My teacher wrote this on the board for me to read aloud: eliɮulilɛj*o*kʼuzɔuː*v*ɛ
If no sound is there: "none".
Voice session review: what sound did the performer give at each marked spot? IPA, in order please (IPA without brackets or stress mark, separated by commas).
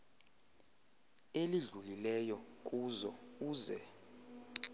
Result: ɔ, z